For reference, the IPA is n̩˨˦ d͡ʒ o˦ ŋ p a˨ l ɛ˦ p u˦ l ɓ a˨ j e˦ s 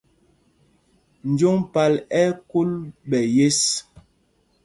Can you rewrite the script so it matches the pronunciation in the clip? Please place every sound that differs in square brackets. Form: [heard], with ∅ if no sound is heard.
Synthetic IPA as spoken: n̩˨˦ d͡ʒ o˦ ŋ p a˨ l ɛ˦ [k] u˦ l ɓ [ɛ˨] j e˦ s